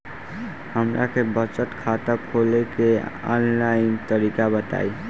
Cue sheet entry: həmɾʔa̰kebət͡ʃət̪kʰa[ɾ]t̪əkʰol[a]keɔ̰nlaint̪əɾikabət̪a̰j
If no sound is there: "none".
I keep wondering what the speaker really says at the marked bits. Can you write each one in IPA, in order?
none, e

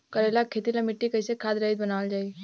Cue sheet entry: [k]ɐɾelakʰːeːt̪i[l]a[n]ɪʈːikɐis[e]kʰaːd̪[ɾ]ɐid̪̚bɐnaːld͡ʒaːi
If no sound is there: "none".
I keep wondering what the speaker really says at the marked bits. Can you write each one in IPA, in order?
k, l, m, e, ɾ

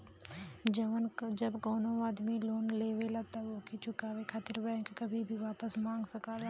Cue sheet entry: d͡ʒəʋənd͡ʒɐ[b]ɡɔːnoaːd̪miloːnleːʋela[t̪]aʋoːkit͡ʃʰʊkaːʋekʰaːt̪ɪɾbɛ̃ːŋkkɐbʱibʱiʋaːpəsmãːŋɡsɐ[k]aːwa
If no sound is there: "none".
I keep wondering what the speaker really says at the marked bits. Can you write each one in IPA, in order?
b, t̪, k

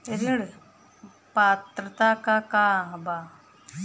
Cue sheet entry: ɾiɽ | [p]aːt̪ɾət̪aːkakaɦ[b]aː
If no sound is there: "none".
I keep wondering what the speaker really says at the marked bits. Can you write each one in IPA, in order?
p, b

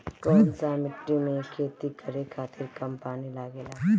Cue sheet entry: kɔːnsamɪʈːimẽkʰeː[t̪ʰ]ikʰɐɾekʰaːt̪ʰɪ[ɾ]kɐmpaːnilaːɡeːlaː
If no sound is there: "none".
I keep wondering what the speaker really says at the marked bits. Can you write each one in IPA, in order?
t̪, ɾ

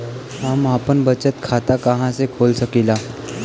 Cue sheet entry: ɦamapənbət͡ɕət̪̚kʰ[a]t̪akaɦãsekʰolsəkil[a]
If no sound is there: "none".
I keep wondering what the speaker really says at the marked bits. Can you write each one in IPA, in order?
a, a

